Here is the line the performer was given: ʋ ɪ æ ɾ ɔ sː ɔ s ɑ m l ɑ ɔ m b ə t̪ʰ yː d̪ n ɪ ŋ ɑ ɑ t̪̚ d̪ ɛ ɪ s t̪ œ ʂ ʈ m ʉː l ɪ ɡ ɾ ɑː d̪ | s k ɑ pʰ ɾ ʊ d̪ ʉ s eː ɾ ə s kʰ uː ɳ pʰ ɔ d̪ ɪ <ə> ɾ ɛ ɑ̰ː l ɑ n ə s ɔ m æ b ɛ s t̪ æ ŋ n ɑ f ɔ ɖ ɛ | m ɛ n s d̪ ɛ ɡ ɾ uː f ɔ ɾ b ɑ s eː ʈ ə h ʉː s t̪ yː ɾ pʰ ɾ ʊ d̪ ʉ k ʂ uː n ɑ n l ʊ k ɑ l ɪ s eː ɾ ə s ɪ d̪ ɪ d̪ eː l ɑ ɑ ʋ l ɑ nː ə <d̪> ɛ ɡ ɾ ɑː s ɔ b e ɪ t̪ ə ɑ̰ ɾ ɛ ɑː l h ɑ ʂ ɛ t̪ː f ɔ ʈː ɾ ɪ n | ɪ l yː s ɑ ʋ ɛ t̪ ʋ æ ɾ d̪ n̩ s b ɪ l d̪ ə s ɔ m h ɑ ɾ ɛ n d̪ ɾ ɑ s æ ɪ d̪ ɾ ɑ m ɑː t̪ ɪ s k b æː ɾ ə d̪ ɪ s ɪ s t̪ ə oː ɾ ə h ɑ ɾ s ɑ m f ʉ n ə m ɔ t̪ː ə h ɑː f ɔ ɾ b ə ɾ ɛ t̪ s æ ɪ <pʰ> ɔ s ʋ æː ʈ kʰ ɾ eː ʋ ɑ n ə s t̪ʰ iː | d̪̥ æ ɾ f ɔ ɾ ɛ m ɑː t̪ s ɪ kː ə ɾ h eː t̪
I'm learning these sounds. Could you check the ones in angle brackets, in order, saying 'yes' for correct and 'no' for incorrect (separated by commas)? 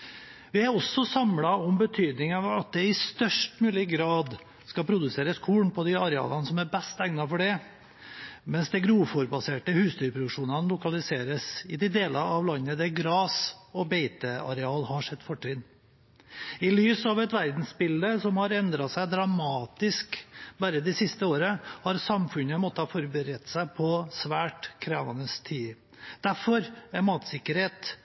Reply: no, yes, yes